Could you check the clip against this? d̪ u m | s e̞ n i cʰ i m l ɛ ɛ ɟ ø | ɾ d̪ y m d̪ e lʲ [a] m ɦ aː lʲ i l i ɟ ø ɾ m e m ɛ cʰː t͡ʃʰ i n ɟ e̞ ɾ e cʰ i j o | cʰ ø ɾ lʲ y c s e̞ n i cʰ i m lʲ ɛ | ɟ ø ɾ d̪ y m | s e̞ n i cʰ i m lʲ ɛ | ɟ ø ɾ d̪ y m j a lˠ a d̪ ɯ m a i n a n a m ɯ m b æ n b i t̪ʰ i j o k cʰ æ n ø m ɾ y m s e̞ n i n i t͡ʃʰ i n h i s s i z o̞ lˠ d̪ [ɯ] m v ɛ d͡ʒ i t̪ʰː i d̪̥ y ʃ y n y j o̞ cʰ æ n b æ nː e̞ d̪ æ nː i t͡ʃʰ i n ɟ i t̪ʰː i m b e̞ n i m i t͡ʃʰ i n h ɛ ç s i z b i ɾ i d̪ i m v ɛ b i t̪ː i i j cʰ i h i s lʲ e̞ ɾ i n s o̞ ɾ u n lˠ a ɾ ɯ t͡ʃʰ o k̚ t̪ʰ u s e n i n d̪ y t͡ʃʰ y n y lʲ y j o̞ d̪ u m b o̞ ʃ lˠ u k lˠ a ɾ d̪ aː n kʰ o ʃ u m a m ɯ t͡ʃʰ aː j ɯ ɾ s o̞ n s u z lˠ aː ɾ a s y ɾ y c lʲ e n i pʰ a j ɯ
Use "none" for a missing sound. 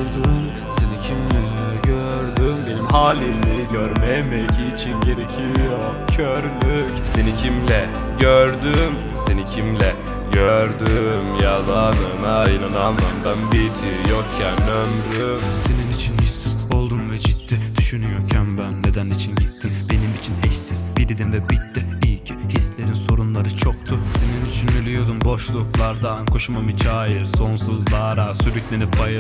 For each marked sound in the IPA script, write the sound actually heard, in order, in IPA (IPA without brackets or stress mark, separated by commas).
i, u